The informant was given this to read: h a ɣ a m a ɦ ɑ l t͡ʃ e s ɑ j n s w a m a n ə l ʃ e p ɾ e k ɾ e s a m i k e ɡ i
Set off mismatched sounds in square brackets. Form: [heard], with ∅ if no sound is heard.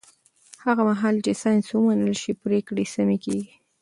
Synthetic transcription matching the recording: h a ɣ a m a ɦ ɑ l t͡ʃ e s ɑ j n s w [ə] m a n ə l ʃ [i] p ɾ e k [ɽ] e s a m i k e ɡ i